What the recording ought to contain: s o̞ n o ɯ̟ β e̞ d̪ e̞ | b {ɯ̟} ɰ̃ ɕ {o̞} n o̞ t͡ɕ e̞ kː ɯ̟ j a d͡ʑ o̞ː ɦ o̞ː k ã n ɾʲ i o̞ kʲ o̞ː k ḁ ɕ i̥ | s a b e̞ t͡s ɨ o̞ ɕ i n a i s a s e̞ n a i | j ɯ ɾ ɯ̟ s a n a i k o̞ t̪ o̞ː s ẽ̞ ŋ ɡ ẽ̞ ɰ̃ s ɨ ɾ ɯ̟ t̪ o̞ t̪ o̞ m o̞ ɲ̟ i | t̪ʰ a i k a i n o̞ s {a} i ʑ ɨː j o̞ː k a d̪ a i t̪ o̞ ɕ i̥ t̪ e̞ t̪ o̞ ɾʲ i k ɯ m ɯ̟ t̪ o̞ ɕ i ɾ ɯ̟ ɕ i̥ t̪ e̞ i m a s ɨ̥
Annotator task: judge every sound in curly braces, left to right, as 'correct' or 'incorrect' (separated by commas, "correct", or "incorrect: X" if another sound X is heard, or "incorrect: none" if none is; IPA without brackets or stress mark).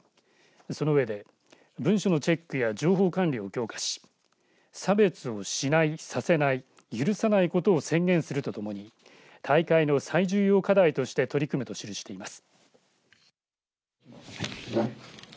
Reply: incorrect: ɯ̟̃, correct, correct